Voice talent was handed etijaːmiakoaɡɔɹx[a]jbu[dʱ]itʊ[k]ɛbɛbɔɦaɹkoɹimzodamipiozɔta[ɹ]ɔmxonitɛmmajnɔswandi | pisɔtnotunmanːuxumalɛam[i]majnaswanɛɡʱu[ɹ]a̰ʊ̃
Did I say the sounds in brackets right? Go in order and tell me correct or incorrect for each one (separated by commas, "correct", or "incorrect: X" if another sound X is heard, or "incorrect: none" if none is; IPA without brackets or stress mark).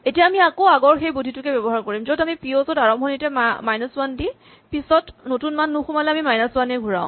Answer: incorrect: e, correct, correct, correct, correct, correct